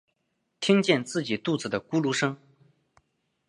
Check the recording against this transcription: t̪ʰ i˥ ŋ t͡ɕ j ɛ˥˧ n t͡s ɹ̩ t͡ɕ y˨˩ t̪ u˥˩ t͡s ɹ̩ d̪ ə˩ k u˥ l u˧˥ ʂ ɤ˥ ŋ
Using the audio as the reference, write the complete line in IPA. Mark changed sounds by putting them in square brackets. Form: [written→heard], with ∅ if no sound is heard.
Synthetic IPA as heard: t̪ʰ i˥ ŋ t͡ɕ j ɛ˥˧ n t͡s ɹ̩ t͡ɕ [y˨˩→i˨˩] t̪ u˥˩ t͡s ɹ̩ d̪ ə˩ k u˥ l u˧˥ ʂ ɤ˥ ŋ